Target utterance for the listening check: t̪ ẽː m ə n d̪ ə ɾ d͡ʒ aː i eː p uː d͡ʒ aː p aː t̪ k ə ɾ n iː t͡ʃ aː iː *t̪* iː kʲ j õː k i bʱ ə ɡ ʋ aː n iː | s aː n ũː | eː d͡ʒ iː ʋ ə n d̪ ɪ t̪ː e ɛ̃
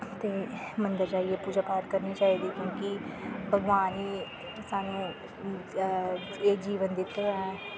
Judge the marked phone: incorrect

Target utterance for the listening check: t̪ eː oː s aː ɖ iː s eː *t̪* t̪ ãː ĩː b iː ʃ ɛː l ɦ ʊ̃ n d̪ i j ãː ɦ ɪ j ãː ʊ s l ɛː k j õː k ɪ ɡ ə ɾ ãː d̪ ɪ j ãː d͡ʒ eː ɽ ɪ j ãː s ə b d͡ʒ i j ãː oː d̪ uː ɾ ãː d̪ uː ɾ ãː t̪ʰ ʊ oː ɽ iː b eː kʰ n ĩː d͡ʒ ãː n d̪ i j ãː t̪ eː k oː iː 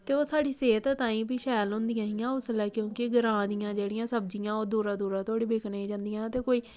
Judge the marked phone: correct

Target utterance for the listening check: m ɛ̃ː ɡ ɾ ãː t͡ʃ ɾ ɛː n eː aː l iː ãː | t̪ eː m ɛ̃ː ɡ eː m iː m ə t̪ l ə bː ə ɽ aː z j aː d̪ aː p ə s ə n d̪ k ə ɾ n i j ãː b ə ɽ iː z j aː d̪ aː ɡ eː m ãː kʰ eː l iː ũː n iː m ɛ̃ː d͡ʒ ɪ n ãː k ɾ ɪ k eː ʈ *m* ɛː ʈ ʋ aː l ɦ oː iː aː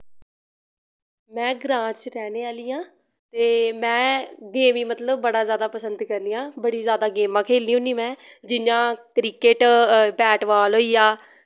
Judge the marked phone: incorrect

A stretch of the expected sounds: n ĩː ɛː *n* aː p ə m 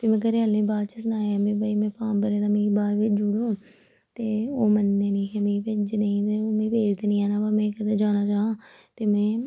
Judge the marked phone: correct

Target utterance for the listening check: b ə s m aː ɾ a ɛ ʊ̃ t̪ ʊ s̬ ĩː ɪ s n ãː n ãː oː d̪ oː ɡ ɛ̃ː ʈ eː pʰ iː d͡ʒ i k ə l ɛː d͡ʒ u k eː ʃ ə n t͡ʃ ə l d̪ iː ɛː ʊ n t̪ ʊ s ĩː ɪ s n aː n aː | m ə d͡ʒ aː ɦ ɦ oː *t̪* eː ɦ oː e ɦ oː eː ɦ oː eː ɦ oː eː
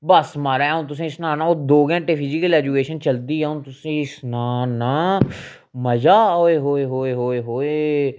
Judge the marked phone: incorrect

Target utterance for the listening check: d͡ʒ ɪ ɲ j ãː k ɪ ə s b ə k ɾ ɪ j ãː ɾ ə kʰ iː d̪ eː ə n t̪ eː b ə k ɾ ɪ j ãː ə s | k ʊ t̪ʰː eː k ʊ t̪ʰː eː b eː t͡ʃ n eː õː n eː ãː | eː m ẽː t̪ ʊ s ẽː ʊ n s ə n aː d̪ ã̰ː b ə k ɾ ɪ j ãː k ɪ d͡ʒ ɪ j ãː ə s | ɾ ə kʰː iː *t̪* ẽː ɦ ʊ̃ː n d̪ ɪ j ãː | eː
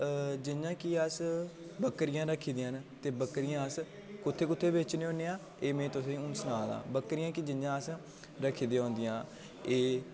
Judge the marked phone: incorrect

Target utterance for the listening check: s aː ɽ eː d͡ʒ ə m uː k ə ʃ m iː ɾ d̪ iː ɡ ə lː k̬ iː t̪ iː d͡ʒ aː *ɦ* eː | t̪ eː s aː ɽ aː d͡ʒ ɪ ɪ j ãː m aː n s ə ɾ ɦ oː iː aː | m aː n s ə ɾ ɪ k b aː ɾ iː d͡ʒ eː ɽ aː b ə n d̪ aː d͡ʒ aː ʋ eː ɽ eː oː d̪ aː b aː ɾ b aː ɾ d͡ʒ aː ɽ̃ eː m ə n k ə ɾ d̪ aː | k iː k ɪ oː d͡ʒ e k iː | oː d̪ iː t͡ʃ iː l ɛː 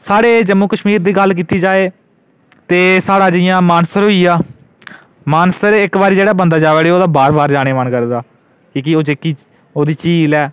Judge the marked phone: incorrect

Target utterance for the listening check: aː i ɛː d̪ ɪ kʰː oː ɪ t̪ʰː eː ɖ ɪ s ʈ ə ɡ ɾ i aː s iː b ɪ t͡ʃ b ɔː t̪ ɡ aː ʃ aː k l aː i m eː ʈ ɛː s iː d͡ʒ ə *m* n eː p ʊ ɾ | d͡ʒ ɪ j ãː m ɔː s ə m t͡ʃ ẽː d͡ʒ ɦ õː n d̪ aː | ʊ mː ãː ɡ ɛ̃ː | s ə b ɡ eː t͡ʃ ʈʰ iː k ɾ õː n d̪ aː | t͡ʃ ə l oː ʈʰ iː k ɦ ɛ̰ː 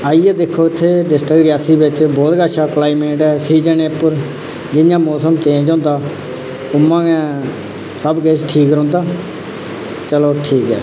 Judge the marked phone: incorrect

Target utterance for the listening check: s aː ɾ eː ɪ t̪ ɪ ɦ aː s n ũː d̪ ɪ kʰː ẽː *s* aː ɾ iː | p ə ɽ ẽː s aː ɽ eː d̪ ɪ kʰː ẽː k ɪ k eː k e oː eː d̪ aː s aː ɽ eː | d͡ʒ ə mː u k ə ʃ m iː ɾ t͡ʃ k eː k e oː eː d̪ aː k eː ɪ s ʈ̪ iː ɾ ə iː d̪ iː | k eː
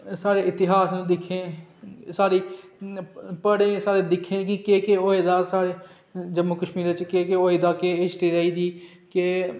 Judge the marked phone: correct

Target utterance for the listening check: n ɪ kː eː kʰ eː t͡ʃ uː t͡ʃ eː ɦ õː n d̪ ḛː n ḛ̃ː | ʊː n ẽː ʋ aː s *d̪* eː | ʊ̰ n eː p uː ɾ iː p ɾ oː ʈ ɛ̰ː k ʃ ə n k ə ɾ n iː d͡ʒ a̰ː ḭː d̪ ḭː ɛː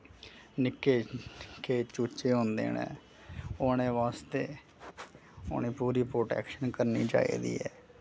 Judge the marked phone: incorrect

